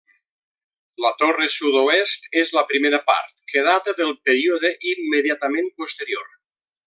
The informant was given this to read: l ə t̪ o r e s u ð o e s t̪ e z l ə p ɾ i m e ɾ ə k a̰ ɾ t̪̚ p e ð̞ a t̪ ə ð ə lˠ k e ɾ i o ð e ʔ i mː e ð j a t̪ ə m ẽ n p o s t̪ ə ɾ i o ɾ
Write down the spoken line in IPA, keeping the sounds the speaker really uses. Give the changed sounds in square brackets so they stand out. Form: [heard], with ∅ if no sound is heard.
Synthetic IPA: l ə t̪ o r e s u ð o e s t̪ e z l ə p ɾ i m e ɾ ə [p] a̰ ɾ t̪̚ [k] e ð̞ a t̪ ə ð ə lˠ [p] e ɾ i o ð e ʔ i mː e ð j a t̪ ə m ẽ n p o s t̪ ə ɾ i o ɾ